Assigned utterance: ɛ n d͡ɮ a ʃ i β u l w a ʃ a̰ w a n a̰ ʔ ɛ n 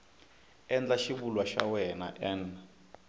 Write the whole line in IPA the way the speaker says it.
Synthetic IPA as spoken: ɛ n d͡ɮ a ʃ i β u l w a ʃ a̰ w ɛ n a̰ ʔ ɛ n